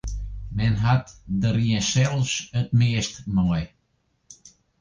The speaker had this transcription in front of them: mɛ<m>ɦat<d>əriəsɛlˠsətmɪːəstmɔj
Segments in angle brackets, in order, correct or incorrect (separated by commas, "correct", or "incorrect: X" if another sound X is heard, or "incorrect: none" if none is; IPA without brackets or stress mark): incorrect: n, correct